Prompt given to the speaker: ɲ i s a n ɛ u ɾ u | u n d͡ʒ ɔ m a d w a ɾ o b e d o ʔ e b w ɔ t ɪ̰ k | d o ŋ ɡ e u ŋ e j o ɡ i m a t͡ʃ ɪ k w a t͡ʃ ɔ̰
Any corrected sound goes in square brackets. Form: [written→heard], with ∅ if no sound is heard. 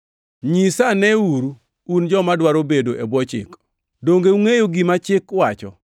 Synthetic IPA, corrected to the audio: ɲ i s a n ɛ u ɾ u | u n d͡ʒ ɔ m a d w a ɾ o b e d o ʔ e b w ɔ [t→t͡ʃ] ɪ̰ k | d o ŋ ɡ e u ŋ e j o ɡ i m a t͡ʃ ɪ k w a t͡ʃ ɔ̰